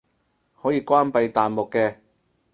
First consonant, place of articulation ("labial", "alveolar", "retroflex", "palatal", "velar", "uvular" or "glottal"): glottal